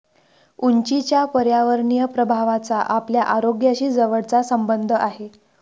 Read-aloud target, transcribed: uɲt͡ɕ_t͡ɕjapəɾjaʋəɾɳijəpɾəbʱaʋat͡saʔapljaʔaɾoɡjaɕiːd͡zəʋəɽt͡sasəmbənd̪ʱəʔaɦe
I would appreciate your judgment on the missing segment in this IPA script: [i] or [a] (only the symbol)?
i